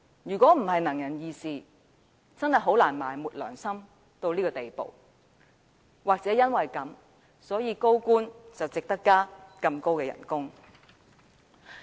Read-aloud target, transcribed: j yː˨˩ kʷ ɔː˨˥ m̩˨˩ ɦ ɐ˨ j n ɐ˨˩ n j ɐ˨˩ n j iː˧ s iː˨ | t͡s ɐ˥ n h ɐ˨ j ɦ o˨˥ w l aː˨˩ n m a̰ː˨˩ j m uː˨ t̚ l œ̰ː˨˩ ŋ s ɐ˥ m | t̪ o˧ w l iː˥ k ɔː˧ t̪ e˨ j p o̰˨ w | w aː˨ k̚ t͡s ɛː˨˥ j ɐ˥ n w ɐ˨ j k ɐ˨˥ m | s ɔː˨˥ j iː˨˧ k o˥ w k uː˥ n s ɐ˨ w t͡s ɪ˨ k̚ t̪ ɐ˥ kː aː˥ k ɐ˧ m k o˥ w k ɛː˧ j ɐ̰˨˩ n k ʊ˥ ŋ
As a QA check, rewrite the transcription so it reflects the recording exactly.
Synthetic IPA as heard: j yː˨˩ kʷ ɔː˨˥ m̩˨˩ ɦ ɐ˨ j n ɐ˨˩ ŋ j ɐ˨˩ n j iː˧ s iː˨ | t͡s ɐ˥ n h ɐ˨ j ɦ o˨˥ w l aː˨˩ n m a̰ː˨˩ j m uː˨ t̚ l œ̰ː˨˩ ŋ s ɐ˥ m | t̪ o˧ w l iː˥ k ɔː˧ t̪ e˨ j p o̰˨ w | w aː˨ k̚ t͡s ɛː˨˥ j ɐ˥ n w ɐ˨ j k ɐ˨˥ m | s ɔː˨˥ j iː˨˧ k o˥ w k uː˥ n t͡s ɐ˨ w t͡s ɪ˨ k̚ t̪ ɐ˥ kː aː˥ k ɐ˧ m k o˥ w k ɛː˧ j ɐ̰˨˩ n k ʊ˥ ŋ